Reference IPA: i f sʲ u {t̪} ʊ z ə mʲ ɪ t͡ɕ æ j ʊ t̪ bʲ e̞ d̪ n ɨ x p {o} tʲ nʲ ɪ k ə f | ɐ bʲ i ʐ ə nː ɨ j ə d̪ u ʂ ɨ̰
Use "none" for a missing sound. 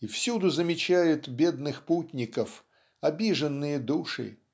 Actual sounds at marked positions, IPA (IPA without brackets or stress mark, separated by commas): d̪, u